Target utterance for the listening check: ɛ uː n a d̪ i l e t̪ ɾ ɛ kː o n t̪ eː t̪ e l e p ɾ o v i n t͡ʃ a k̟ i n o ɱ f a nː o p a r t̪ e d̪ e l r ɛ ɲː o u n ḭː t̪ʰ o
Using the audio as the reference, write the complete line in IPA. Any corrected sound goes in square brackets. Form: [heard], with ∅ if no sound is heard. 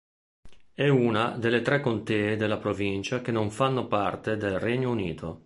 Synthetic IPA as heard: ɛ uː n a d̪ [e] l e t̪ ɾ ɛ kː o n t̪ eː [d̪] e l [a] p ɾ o v i n t͡ʃ a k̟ [e] n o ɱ f a nː o p a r t̪ e d̪ e l r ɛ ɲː o u n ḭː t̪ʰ o